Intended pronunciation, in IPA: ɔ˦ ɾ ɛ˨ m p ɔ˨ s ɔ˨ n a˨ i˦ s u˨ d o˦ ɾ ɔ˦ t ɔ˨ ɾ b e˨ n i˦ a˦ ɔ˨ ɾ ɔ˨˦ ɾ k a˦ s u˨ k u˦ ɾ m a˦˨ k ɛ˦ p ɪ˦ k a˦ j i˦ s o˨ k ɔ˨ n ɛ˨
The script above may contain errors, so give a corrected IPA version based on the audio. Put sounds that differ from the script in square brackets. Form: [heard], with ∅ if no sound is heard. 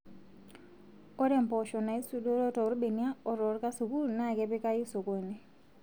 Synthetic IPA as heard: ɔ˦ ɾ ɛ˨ m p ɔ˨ [ʃ] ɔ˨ n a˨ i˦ s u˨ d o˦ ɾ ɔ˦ t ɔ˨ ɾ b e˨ n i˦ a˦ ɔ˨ ɾ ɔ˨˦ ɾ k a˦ s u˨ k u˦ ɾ [n] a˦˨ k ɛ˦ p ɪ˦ k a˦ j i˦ s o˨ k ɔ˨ n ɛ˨